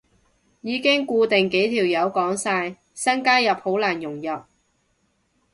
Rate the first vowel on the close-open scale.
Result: close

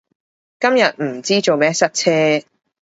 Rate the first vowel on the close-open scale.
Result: open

